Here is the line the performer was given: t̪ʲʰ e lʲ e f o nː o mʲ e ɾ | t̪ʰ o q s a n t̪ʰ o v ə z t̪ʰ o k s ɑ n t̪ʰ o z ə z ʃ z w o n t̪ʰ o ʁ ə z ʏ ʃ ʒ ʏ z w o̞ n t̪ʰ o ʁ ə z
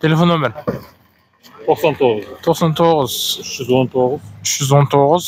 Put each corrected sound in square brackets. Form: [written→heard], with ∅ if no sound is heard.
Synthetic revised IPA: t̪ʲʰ e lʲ e f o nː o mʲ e ɾ | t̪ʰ o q s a n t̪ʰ o [v→ʁ] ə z t̪ʰ o [k→q] s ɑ n t̪ʰ o [z→ʁ] ə z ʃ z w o n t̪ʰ o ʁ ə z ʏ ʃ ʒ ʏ z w o̞ n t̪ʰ o ʁ ə z

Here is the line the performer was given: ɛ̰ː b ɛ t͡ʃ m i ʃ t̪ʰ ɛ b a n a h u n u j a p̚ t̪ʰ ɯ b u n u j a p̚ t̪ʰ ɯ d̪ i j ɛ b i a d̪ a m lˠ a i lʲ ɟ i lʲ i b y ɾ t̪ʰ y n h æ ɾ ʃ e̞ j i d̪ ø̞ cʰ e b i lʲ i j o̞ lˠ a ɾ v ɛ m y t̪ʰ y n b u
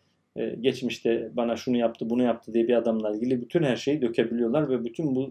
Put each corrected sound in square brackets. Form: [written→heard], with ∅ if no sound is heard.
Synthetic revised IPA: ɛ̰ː [b→ɟ] ɛ t͡ʃ m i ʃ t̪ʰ ɛ b a n a [h→ʃ] u n u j a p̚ t̪ʰ ɯ b u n u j a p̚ t̪ʰ ɯ d̪ i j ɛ b i a d̪ a m lˠ a i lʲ ɟ i lʲ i b y [ɾ→∅] t̪ʰ y n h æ ɾ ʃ e̞ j i d̪ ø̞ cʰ e b i lʲ i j o̞ lˠ a ɾ v ɛ [m→b] y t̪ʰ y n b u

